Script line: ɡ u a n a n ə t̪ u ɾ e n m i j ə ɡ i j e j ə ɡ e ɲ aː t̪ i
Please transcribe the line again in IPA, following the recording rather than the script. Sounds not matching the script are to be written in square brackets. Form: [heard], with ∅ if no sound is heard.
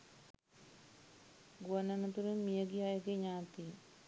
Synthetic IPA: ɡ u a n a n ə t̪ u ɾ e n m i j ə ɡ i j [a] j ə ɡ e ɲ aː t̪ i

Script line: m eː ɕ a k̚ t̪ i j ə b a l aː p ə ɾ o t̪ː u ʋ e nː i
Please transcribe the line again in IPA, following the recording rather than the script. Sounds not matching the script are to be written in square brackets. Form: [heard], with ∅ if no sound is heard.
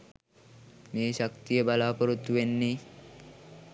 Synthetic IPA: m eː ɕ a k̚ t̪ i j ə b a l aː p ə ɾ [u] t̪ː u ʋ e nː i

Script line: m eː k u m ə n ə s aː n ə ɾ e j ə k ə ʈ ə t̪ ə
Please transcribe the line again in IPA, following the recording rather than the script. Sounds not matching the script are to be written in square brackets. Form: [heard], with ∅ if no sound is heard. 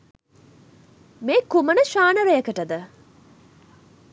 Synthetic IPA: m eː k u m ə n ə [ʃ] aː n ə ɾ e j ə k ə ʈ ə [d̪] ə

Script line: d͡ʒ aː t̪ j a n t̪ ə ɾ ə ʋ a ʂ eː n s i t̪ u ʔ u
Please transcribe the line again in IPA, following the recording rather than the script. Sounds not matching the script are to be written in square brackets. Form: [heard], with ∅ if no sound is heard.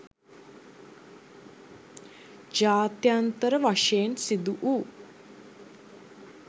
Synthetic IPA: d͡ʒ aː t̪ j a n t̪ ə ɾ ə ʋ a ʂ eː n s i [d̪] u ʔ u

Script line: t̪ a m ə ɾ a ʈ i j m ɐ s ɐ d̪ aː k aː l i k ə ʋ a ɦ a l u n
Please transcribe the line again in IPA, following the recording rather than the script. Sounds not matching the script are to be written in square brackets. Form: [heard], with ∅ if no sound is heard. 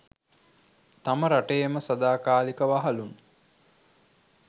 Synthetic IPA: t̪ a m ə ɾ a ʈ [e] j m [ə] s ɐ d̪ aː k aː l i k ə ʋ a ɦ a l u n

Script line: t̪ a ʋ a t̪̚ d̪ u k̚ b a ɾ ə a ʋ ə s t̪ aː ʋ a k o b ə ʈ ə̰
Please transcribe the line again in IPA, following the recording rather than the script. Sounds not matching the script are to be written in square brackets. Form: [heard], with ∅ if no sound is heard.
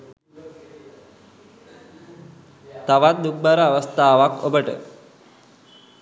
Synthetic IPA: t̪ a ʋ a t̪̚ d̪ u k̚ b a ɾ ə a ʋ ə s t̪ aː ʋ a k o b ə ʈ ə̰

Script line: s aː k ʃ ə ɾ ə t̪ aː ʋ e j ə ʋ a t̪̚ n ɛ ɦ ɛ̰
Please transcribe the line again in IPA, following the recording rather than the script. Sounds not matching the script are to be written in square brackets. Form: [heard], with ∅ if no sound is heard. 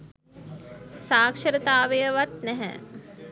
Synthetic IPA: s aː k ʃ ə ɾ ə t̪ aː ʋ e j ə ʋ a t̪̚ n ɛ ɦ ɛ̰

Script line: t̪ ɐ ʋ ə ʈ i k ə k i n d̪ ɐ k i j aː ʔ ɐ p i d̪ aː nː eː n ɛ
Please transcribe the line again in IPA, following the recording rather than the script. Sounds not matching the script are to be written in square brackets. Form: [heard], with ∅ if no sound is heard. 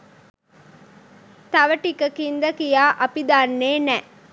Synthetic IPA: t̪ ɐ ʋ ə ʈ i k ə k i n d̪ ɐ k i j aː ʔ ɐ p i d̪ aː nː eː n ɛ

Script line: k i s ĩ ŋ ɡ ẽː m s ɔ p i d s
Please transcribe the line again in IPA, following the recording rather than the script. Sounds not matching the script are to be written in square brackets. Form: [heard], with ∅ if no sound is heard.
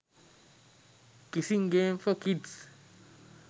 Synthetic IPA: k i s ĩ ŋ ɡ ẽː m [f] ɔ [k] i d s

